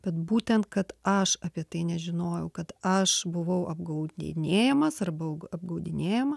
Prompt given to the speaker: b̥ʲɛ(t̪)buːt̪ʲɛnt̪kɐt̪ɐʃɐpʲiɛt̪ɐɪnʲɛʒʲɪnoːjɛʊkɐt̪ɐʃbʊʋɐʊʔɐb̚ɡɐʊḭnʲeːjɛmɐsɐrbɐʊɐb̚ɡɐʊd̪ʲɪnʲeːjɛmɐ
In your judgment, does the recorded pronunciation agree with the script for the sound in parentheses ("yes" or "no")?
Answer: yes